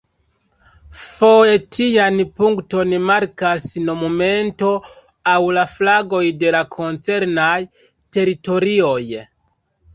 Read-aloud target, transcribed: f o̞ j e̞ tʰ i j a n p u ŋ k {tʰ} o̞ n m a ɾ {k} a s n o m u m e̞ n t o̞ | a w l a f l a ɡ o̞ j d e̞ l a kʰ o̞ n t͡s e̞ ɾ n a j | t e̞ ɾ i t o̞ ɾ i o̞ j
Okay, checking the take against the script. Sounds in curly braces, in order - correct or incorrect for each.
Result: incorrect, correct

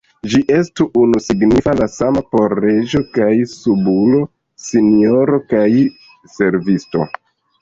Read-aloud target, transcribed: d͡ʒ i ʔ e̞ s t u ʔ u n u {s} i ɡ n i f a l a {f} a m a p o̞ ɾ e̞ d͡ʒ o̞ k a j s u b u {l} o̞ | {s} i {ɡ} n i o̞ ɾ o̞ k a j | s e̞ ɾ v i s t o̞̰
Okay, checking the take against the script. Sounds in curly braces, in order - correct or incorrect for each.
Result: correct, incorrect, correct, correct, incorrect

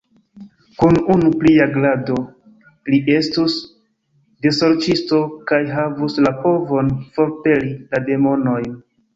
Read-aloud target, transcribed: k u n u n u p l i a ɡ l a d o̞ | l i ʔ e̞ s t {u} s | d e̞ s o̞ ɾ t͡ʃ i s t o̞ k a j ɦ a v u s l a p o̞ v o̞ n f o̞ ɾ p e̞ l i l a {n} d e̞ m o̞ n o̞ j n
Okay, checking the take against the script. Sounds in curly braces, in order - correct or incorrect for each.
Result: correct, incorrect

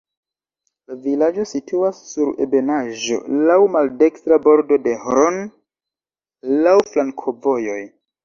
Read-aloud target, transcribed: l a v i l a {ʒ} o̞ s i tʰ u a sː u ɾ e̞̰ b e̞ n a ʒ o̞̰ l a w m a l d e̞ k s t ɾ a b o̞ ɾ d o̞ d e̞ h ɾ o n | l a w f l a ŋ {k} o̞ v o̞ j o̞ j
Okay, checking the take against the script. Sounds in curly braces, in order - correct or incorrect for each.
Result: incorrect, incorrect

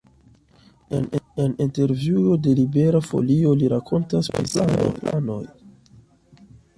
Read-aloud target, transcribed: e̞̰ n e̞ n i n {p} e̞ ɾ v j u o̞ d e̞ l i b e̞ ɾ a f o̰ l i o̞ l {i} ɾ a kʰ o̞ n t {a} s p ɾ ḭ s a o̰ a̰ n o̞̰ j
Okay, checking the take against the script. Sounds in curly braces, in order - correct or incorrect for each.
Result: incorrect, correct, correct

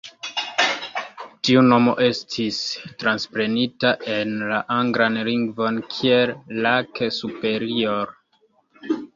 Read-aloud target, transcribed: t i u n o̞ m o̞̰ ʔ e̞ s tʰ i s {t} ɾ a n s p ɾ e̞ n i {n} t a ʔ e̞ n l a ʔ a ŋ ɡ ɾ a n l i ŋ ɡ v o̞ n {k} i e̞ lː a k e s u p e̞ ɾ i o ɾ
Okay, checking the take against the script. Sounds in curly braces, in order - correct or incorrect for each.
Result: correct, incorrect, incorrect

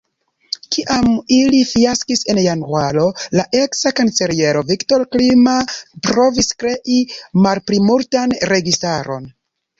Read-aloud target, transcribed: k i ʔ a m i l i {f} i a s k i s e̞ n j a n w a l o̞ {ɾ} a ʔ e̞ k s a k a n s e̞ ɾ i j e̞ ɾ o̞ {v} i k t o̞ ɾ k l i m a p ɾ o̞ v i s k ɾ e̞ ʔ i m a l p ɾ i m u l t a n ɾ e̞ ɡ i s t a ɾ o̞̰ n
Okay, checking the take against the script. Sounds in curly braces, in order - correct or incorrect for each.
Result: correct, incorrect, correct

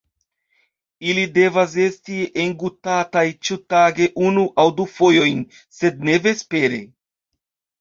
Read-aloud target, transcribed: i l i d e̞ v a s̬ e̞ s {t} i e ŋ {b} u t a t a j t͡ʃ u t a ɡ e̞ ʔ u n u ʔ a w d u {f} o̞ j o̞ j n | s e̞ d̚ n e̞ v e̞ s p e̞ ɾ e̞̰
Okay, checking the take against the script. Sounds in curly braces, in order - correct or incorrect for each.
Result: correct, incorrect, correct

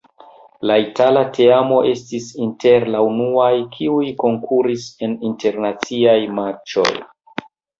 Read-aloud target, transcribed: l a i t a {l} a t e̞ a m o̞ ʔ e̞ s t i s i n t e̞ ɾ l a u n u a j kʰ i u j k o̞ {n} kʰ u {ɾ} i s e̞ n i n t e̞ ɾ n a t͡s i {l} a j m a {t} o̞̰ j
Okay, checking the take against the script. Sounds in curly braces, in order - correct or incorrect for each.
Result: correct, incorrect, correct, incorrect, incorrect

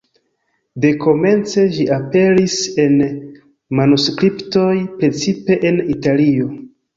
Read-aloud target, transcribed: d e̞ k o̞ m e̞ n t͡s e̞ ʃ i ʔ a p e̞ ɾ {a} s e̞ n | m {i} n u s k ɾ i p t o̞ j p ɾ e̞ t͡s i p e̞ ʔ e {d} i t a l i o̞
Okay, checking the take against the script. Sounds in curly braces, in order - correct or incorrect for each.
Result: incorrect, incorrect, incorrect

